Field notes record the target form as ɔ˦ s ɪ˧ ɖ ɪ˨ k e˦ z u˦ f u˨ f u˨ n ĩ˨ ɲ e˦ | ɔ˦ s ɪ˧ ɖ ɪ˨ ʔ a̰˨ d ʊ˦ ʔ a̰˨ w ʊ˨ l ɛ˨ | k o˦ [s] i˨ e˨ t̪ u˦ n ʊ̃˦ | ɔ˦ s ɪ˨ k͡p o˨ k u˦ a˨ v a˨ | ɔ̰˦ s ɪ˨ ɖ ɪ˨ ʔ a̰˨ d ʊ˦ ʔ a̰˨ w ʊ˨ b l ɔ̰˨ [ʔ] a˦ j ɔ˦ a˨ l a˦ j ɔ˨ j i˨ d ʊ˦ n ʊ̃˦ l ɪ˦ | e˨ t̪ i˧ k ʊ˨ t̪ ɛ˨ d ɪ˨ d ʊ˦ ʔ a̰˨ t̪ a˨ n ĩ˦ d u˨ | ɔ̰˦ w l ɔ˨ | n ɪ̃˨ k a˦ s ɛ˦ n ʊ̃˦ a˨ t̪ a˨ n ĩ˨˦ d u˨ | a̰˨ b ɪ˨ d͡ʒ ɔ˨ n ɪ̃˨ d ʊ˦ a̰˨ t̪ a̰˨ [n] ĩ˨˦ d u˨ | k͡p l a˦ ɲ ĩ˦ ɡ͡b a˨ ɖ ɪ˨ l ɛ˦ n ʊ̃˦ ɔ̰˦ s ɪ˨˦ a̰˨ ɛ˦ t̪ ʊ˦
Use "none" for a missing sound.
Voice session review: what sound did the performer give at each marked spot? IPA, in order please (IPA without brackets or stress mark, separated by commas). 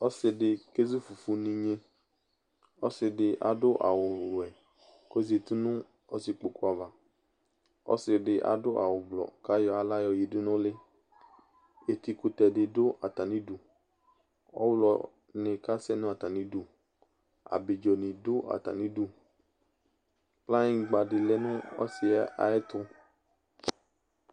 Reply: z, k, n